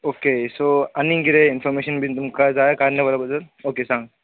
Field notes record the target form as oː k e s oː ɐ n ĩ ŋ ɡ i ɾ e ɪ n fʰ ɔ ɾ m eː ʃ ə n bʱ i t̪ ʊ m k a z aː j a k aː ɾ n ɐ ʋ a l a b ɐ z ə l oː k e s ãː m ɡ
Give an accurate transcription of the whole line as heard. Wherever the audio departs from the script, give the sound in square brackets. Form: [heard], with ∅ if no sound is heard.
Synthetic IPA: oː k e s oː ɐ n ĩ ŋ ɡ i ɾ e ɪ n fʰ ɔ ɾ m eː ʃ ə n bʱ i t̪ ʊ m k a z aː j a k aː ɾ n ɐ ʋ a l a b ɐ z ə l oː k e s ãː [ŋ] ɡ